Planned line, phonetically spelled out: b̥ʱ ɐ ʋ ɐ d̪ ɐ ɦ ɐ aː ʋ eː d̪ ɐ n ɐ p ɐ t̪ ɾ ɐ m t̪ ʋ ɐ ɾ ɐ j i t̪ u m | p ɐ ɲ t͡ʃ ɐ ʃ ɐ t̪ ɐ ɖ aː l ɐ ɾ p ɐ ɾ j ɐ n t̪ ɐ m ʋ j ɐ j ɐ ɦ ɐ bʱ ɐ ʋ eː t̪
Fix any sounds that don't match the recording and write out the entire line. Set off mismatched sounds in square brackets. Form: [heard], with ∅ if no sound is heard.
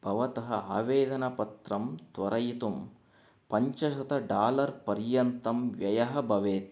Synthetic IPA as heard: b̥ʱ ɐ ʋ ɐ [t̪] ɐ ɦ ɐ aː ʋ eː d̪ ɐ n ɐ p ɐ t̪ ɾ ɐ m t̪ ʋ ɐ ɾ ɐ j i t̪ u m | p ɐ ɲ t͡ʃ ɐ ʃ ɐ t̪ ɐ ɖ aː l ɐ ɾ p ɐ ɾ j ɐ n t̪ ɐ m ʋ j ɐ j ɐ ɦ ɐ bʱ ɐ ʋ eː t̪